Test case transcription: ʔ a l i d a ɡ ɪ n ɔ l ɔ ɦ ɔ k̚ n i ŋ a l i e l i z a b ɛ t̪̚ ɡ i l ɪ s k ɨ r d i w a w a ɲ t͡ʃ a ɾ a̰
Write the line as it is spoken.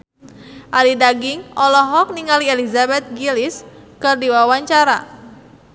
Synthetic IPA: ʔ a l i d a ɡ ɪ ŋ ɔ l ɔ ɦ ɔ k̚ n i ŋ a l i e l i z a b ɛ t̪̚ ɡ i l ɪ s k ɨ r d i w a w a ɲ t͡ʃ a ɾ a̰

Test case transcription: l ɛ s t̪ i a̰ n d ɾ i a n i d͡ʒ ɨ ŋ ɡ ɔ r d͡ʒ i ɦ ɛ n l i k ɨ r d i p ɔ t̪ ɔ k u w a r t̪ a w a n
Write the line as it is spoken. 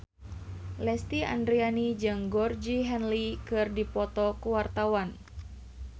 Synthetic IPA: l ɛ s t̪ i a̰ n d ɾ i a n i d͡ʒ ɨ ŋ ɡ ɔ r d͡ʒ i ɦ ɛ n l i k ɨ r d i p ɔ t̪ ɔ k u w a r t̪ a w a n

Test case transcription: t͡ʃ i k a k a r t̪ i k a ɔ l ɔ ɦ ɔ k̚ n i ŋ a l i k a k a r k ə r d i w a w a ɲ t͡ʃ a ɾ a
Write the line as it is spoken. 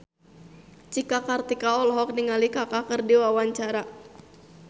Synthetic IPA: t͡ʃ i k a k a r t̪ i k a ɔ l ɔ ɦ ɔ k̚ n i ŋ a l i k a k a k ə r d i w a w a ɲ t͡ʃ a ɾ a

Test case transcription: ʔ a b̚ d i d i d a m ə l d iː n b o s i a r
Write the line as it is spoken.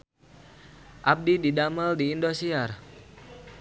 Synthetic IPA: ʔ a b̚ d i d i d a m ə l d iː n d o s i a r

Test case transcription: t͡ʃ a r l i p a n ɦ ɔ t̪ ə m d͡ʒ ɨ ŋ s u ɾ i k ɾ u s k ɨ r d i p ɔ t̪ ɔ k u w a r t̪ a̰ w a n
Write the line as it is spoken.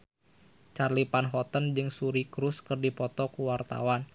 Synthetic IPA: t͡ʃ a r l i p a n ɦ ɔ t̪ ə n d͡ʒ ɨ ŋ s u ɾ i k ɾ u s k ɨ r d i p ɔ t̪ ɔ k u w a r t̪ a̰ w a n

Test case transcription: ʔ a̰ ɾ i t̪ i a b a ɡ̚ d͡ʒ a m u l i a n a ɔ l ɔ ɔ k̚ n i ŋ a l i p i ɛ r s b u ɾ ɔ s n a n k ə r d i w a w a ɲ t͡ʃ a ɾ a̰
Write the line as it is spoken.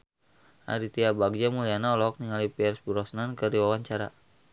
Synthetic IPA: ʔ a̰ ɾ i t̪ i a b a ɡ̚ d͡ʒ a m u l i a n a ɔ l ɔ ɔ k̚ n i ŋ a l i p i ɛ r s b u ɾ ɔ s n a n k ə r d i w a w a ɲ t͡ʃ a ɾ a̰

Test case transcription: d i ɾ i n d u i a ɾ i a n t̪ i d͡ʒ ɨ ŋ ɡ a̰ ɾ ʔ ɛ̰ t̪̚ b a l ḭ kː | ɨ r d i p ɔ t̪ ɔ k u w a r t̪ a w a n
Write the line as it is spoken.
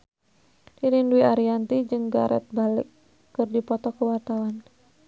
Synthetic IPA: d i ɾ i n d u i a ɾ i a n t̪ i d͡ʒ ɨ ŋ ɡ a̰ ɾ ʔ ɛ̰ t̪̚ b a l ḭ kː | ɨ r d i p ɔ t̪ ɔ k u w a r t̪ a w a n

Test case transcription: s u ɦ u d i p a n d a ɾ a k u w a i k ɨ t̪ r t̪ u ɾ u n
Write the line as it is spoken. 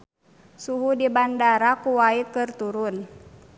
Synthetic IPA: s u ɦ u d i b a n d a ɾ a k u w a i k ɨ r t̪ u ɾ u n

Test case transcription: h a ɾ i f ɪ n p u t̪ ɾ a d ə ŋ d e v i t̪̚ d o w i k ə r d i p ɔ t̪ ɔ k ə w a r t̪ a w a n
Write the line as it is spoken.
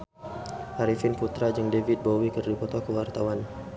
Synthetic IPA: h a ɾ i f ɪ n p u t̪ ɾ a d͡ʒ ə ŋ d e v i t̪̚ b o w i k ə r d i p ɔ t̪ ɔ k ə w a r t̪ a w a n

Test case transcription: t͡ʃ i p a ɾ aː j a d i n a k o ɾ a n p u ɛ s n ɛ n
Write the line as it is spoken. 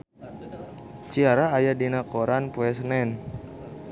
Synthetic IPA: t͡ʃ i a ɾ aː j a d i n a k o ɾ a n p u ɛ s n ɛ n

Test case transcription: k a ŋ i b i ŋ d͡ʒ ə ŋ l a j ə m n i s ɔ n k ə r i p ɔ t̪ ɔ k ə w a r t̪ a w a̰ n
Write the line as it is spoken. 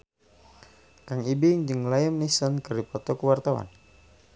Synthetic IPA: k a ŋ i b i ŋ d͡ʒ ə ŋ l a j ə m n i s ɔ n k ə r i p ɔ t̪ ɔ k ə w a r t̪ a w a̰ n

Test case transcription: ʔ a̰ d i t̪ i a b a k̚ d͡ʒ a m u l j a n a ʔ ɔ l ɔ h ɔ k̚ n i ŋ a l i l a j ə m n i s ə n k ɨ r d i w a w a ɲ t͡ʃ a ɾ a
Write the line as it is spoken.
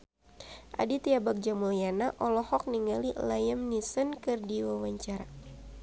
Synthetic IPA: ʔ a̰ d i t̪ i a b a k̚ d͡ʒ a m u l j a n a ʔ ɔ l ɔ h ɔ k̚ n i ŋ a l i l a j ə m n i s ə n k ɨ r d i w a w a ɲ t͡ʃ a ɾ a

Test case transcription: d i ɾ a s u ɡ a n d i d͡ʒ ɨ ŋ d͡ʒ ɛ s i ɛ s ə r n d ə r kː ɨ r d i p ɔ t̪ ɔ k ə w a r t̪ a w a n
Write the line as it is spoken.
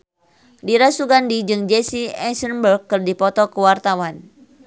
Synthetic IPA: d i ɾ a s u ɡ a n d i d͡ʒ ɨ ŋ d͡ʒ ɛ s i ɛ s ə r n b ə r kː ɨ r d i p ɔ t̪ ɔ k ə w a r t̪ a w a n

